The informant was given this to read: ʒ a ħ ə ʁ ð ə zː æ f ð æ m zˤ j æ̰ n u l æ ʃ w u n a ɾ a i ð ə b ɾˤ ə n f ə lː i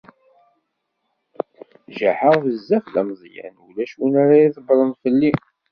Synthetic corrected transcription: ʒ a ħ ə ʁ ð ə zː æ f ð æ m zˤ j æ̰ n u l æ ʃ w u n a ɾ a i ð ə b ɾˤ ə n f ə lː i